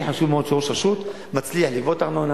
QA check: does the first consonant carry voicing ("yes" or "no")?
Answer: no